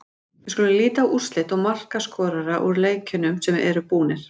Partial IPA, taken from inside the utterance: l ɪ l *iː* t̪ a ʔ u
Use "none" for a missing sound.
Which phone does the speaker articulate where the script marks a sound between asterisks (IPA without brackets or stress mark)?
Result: iː